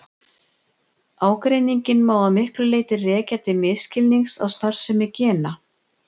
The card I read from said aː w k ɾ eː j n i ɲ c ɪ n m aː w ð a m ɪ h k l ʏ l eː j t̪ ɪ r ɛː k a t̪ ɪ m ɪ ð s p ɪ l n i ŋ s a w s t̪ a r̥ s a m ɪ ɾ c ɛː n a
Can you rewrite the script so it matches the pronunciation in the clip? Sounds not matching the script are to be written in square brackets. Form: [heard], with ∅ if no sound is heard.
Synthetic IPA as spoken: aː w k ɾ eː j n i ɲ c ɪ n m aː w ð a m ɪ h k l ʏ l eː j t̪ ɪ r ɛː [c] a t̪ ɪ m ɪ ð s [c] ɪ l n i ŋ s a w s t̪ a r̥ s [ɛ] m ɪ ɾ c ɛː n a